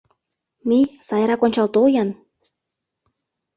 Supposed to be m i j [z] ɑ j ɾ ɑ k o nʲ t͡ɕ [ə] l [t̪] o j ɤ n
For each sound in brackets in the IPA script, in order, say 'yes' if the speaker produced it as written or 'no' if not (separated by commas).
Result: no, no, yes